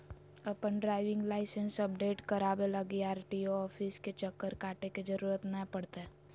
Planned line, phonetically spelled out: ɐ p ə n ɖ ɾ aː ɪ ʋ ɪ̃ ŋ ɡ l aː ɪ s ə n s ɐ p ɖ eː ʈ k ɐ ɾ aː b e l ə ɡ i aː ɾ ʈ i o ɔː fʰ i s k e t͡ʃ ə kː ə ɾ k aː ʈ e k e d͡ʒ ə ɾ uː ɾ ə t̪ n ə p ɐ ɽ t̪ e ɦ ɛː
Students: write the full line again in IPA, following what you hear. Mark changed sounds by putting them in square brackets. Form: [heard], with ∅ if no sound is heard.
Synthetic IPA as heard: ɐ p ə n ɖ ɾ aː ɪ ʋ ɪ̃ ŋ ɡ l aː ɪ s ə n s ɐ p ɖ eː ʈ k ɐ ɾ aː b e l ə ɡ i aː ɾ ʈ i o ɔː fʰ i s k e t͡ʃ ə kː ə ɾ k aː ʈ e k e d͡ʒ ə ɾ uː ɾ ə t̪ n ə p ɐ ɽ t̪ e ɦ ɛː